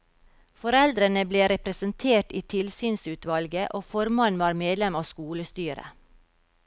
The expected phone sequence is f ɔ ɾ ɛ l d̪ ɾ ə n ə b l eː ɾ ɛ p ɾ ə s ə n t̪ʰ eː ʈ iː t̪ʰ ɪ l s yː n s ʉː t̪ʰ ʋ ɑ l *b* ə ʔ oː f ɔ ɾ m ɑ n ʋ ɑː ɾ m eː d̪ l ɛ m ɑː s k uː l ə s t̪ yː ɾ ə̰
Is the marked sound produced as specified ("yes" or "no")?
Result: no